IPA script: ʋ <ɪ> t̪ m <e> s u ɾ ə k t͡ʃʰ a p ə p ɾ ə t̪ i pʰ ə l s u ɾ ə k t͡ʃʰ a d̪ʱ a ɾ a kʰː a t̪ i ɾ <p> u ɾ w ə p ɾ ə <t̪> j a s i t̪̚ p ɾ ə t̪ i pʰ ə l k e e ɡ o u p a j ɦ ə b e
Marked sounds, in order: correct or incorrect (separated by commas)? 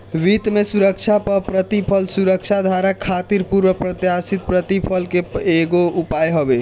incorrect, correct, correct, correct